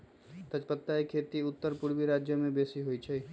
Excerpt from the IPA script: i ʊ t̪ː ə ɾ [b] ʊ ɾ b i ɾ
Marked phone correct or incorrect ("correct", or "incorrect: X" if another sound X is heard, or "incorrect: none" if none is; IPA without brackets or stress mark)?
incorrect: p